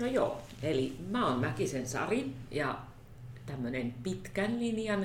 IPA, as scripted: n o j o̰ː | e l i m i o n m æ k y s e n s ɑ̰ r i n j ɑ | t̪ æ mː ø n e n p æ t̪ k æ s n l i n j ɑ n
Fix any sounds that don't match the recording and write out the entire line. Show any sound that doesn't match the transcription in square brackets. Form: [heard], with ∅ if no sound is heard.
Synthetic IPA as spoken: n o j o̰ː | e l i m [æ] o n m æ k [i] s e n s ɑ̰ r i n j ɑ | t̪ æ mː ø n e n p [i] t̪ k æ [∅] n l i n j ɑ n